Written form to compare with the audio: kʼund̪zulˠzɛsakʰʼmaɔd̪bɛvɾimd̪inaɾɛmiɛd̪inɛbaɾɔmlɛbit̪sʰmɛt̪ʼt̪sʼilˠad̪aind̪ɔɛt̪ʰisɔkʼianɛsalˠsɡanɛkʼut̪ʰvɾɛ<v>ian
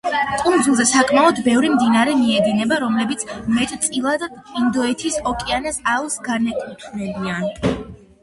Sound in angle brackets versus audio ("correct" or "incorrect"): incorrect